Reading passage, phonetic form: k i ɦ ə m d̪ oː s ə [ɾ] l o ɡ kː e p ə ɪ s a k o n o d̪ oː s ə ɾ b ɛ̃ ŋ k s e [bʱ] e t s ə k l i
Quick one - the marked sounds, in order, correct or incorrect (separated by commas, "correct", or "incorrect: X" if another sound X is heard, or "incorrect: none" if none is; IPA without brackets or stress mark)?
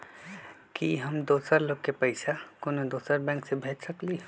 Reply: correct, correct